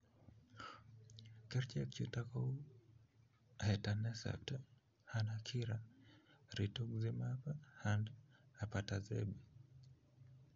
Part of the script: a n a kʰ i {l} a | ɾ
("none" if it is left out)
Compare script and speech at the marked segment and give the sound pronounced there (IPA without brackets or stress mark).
ɾ